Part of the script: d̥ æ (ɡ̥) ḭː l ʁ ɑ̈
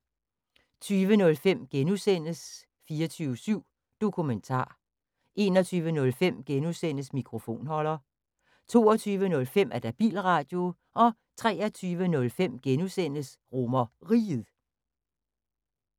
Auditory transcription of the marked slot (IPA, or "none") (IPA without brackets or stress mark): b̥